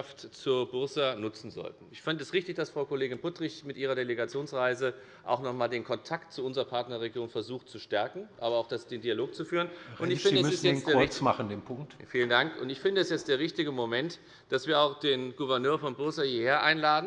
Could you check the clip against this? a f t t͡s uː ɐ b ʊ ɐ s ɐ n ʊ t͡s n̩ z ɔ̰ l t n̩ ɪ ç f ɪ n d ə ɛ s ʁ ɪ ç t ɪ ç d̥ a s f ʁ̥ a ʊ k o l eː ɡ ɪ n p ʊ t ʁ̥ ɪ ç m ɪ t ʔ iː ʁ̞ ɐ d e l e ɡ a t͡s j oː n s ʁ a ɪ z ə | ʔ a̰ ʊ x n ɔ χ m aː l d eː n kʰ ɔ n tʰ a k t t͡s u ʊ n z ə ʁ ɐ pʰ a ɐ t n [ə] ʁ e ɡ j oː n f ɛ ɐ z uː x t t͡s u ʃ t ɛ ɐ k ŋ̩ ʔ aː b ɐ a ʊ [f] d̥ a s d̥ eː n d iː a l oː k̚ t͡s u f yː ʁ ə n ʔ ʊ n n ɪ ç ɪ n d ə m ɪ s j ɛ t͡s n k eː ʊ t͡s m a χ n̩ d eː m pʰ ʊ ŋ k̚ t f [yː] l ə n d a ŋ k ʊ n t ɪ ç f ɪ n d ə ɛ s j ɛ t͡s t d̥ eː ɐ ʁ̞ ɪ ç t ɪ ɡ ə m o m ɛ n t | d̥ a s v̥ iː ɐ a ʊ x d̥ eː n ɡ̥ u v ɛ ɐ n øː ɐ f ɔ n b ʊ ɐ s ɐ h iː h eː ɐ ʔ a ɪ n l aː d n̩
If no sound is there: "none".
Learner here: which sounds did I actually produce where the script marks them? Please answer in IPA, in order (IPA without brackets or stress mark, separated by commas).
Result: ɐ, x, iː